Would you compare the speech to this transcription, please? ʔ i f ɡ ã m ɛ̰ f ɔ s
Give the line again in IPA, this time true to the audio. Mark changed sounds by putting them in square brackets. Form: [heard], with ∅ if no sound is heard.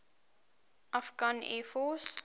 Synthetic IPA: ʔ [a] f ɡ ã [n] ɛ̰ f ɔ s

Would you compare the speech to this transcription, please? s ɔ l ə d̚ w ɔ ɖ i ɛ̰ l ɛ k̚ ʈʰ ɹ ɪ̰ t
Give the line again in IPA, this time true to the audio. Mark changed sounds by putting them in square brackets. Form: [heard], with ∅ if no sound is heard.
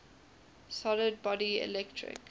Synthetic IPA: s ɔ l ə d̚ [b] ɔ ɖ i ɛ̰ l ɛ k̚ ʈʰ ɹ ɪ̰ [k]

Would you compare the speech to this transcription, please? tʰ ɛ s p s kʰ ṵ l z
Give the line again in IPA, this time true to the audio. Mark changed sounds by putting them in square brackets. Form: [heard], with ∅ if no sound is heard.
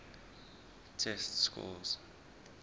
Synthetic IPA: tʰ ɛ s [t] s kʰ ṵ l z

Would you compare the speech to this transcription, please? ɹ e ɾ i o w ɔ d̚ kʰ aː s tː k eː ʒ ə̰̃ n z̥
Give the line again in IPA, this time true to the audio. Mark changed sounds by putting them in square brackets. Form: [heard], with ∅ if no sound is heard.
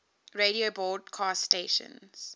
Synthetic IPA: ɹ e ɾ i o [b] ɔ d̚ kʰ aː s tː [t] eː [ʃ] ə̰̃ n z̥

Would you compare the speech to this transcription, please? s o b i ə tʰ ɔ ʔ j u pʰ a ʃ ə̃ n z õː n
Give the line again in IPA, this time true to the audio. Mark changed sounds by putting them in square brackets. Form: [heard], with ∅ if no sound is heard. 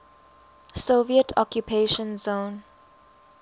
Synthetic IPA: s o [v] i ə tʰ ɔ [k] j u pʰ [e] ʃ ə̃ n z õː n

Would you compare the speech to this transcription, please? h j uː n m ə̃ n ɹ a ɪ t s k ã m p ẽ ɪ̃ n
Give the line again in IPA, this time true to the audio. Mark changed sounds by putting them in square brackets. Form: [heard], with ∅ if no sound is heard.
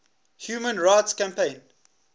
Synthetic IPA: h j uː [∅] m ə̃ n ɹ a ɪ t s k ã m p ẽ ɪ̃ n

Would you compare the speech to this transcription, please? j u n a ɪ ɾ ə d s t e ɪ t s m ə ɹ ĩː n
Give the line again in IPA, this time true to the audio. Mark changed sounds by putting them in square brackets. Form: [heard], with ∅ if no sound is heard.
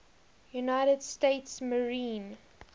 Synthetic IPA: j u n a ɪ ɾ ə d s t e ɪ t s m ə ɹ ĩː n

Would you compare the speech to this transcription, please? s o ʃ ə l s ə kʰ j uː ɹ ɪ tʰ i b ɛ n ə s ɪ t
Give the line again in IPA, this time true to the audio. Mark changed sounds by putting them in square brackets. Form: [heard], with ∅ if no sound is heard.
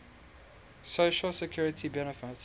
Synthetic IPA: s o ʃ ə l s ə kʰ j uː ɹ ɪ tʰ i b ɛ n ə [f] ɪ t

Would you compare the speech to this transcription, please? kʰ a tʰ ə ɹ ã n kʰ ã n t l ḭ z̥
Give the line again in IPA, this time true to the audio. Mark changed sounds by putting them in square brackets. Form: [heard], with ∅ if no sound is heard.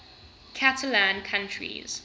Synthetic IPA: kʰ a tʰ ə [l] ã n kʰ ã n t [ɹ] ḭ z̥

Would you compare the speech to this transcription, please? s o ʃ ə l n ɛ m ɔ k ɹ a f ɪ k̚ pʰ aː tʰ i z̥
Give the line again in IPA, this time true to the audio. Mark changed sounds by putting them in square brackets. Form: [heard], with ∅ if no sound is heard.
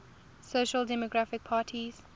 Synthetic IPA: s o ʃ ə l [d] ɛ m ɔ [ɡ] ɹ a f ɪ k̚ pʰ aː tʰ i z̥

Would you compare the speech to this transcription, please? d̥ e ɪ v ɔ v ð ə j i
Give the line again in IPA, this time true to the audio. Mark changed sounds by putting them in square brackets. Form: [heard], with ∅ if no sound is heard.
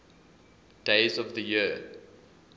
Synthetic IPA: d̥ e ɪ [z] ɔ v ð ə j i

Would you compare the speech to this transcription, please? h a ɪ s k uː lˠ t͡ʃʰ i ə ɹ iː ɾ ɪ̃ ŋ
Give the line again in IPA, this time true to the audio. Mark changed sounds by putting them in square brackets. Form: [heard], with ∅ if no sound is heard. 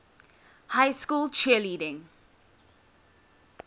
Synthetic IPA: h a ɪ s k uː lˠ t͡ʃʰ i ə [l] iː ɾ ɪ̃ ŋ

